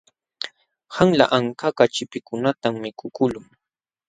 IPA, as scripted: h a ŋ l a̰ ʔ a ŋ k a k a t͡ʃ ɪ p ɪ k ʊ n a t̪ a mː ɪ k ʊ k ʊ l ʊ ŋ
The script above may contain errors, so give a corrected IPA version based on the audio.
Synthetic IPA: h a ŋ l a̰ ʔ a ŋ k a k a t͡ʃ ɪ p ɪ k ʊ n a t̪ a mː ɪ k ʊ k ʊ l ʊ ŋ